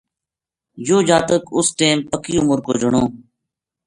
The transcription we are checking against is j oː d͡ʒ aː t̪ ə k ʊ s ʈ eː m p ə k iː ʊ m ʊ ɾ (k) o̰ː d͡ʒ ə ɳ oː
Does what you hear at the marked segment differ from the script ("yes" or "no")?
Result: no